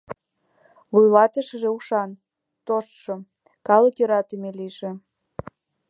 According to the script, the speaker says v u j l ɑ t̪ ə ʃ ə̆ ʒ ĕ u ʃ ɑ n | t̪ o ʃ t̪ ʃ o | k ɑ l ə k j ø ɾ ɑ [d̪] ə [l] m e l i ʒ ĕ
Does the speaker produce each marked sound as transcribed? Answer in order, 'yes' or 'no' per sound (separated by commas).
no, no